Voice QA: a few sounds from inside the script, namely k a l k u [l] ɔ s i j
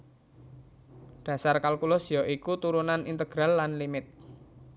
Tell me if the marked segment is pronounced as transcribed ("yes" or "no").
yes